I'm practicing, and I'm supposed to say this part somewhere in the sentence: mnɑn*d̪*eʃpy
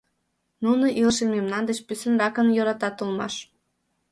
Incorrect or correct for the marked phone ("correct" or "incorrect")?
correct